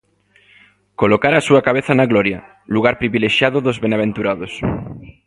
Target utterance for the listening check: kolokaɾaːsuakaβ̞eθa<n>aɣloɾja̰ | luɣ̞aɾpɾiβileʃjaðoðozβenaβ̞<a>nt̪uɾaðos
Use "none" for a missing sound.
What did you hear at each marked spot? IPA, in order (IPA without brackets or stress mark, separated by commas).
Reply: n, e